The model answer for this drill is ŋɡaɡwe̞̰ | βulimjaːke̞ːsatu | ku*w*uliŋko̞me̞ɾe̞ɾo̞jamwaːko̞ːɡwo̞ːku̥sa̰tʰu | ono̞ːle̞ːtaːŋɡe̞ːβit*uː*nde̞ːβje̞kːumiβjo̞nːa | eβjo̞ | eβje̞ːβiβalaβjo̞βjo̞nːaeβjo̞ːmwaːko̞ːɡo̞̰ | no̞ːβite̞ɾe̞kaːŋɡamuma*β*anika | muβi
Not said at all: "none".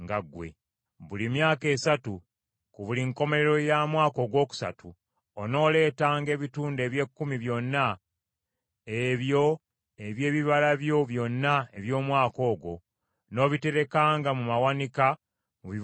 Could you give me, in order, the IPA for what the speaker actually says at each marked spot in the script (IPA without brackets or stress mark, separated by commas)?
β, uː, w